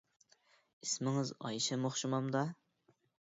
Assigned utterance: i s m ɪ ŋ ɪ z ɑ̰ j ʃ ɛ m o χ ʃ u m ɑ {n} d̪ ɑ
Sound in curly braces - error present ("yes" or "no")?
yes